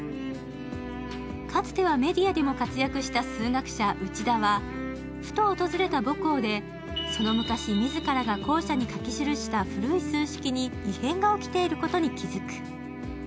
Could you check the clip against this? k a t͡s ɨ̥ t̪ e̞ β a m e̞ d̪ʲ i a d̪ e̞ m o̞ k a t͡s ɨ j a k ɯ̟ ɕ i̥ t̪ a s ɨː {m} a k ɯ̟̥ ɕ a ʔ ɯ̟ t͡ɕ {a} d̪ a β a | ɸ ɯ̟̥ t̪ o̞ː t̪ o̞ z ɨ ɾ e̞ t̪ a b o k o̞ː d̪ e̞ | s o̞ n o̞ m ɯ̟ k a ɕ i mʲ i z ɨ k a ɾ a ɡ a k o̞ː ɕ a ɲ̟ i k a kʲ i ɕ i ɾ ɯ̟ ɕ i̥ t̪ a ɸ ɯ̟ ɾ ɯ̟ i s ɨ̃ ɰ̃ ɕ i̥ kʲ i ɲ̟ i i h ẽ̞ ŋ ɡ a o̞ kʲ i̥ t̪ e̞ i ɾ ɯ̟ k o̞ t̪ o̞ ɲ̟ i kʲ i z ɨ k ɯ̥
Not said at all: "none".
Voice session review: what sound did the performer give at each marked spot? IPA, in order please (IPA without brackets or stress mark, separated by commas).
ŋ, i